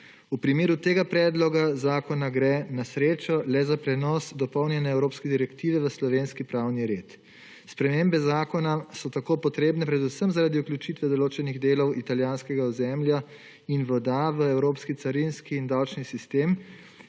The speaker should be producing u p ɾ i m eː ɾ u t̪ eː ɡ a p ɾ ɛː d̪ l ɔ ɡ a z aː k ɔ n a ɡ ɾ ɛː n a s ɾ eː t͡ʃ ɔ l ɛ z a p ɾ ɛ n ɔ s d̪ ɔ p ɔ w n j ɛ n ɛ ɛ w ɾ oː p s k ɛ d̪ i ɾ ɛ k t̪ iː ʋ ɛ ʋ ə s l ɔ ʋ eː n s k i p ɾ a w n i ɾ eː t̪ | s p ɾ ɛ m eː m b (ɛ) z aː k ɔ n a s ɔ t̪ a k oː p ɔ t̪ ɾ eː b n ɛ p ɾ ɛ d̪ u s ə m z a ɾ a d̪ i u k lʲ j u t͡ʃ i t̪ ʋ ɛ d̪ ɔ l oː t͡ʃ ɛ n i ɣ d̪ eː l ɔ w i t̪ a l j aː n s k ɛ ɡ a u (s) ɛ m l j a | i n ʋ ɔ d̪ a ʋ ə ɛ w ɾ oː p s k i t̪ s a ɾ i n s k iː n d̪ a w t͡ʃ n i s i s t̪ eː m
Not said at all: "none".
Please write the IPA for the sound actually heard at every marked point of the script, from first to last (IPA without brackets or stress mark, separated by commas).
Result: ɛ, z